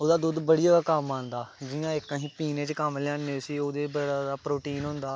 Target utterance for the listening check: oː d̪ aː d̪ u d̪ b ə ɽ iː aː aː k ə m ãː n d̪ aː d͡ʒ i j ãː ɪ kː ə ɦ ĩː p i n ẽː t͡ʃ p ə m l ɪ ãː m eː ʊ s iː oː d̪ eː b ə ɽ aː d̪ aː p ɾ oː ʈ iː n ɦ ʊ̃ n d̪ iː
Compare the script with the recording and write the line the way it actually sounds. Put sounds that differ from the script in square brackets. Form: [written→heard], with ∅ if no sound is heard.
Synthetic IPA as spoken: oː d̪ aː d̪ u d̪ b ə ɽ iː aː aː k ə m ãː n d̪ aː d͡ʒ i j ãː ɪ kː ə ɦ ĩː p [i→iː] n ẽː t͡ʃ [p→k] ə m l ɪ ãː [m→n] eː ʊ s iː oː d̪ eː b ə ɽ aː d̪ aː p ɾ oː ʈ iː n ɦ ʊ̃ n d̪ [iː→aː]

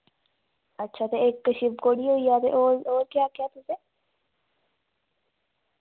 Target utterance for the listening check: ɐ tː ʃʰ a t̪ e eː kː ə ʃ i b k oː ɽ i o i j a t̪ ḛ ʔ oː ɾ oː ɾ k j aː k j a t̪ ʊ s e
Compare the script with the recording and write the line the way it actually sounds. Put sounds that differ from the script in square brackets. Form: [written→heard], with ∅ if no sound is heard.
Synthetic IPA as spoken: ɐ tː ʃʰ a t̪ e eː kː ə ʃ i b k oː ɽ i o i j a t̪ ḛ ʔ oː ɾ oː ɾ k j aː k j a t̪ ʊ s e

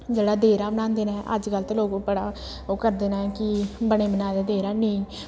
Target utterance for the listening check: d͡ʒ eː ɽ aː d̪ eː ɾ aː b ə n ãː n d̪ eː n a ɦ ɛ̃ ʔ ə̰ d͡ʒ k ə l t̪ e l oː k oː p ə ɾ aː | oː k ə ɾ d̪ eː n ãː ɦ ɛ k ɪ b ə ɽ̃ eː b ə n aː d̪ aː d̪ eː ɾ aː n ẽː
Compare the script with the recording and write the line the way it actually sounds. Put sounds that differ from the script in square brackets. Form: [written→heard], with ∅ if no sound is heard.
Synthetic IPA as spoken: d͡ʒ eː ɽ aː d̪ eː ɾ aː b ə n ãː n d̪ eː n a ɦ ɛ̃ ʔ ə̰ d͡ʒ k ə l t̪ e l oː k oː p ə [ɾ→ɽ] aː | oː k ə ɾ d̪ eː n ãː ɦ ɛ k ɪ b ə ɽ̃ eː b ə n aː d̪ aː d̪ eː ɾ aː n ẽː

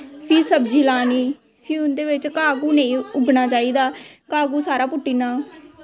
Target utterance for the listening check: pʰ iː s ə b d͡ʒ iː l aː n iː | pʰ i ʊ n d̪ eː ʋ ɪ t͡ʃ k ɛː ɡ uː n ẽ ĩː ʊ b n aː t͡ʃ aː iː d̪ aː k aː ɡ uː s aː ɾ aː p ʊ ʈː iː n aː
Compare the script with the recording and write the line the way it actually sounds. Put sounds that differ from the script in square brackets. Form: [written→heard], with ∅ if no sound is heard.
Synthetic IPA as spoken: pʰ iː s ə b d͡ʒ iː l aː n iː | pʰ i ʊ n d̪ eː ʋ ɪ t͡ʃ k [ɛː→aː] ɡ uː n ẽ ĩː ʊ b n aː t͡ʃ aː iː d̪ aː k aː ɡ uː s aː ɾ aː p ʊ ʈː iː n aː

